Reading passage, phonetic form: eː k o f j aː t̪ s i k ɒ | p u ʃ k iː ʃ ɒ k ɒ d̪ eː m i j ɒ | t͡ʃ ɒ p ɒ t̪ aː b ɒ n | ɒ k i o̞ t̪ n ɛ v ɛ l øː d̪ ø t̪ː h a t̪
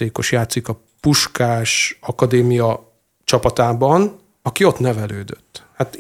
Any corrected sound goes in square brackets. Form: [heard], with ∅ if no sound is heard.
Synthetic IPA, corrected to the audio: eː k o [ʃ] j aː t̪ s i k ɒ | p u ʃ k [aː] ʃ ɒ k ɒ d̪ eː m i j ɒ | t͡ʃ ɒ p ɒ t̪ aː b ɒ n | ɒ k i o̞ t̪ n ɛ v ɛ l øː d̪ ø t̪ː h a t̪